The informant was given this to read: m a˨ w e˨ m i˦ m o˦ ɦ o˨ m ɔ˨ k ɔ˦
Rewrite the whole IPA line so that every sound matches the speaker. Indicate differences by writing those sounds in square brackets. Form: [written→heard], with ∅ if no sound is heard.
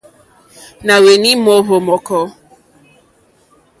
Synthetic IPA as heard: [m→n] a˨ w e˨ [m→n] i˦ m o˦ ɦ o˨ m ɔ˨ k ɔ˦